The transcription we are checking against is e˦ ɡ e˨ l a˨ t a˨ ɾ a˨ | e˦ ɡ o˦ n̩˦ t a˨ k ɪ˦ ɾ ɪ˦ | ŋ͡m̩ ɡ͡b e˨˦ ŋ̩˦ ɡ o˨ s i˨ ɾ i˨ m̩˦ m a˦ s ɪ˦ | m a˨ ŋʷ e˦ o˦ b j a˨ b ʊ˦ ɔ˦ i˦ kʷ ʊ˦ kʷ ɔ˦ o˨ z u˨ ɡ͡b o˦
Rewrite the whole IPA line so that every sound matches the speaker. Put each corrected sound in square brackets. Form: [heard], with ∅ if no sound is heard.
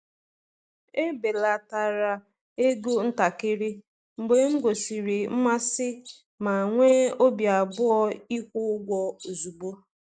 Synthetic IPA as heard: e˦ [b] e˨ l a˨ t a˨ ɾ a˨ | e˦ ɡ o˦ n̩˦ t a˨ k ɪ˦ ɾ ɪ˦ | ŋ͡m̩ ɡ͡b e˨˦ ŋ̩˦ ɡ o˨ s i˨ ɾ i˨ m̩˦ m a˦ s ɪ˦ | m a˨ ŋʷ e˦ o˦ b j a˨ b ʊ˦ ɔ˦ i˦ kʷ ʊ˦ [ɡʷ] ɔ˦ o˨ z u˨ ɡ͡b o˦